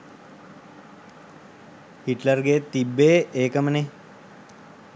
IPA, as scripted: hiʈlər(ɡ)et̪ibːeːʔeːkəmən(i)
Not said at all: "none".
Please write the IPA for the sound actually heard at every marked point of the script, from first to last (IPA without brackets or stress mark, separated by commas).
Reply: ɡ, e